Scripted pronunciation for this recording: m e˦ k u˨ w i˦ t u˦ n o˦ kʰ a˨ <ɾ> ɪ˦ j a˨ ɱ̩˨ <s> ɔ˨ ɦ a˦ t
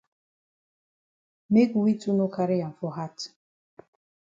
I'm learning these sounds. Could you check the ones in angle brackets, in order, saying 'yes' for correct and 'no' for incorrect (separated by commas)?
yes, no